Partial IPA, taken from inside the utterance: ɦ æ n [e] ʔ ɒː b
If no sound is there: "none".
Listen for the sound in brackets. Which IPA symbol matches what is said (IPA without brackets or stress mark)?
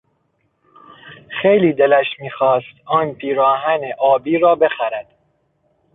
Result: e